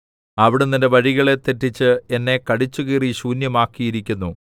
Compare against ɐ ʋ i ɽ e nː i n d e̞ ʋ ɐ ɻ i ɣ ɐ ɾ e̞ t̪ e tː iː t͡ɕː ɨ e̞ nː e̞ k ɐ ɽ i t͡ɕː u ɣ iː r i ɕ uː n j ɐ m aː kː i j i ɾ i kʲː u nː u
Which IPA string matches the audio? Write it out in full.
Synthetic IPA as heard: ɐ ʋ i ɽ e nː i n d e̞ ʋ ɐ ɻ i ɣ ɐ ɭ e̞ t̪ e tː i t͡ɕː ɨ e̞ nː e̞ k ɐ ɽ i t͡ɕː u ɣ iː r i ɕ uː n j ɐ m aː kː i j i ɾ i kʲː u nː u